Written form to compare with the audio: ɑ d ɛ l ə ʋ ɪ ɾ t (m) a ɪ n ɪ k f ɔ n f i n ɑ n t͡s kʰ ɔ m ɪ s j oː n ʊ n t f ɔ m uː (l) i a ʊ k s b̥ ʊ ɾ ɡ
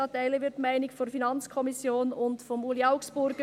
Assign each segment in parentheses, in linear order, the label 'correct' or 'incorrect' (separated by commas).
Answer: correct, correct